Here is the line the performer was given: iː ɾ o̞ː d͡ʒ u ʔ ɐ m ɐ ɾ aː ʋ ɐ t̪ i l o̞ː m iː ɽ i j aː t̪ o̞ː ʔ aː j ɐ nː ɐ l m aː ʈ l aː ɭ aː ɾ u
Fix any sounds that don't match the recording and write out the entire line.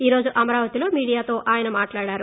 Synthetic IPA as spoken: iː ɾ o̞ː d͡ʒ u ʔ ɐ m ɐ ɾ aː ʋ ɐ t̪ i l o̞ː m iː ɽ i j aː t̪ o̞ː ʔ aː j ɐ n ɐ m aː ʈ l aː ɽ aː ɾ u